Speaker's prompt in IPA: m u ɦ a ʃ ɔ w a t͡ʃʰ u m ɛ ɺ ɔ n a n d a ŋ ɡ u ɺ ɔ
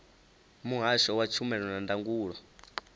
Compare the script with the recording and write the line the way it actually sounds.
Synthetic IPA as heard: m u ɦ a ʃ ɔ w a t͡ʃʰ u m ɛ ɺ ɔ n a n d a ŋ ɡ uː ɺ ɔ